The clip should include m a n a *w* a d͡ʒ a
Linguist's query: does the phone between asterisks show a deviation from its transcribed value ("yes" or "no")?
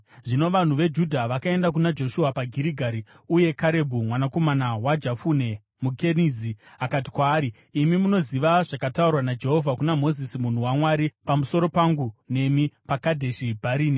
no